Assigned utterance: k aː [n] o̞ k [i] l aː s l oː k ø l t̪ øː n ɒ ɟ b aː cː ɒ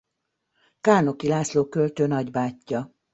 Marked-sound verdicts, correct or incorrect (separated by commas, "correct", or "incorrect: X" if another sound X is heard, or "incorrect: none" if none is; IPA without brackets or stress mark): correct, correct